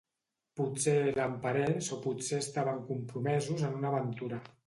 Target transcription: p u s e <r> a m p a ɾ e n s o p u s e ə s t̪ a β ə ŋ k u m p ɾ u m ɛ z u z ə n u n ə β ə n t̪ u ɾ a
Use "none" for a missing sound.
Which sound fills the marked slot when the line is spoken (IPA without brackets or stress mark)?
l